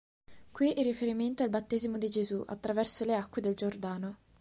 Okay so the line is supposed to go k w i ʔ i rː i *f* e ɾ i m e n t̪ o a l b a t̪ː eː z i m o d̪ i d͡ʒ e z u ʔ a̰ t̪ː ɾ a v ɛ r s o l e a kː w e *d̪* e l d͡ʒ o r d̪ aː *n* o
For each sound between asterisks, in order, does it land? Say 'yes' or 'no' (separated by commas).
yes, yes, yes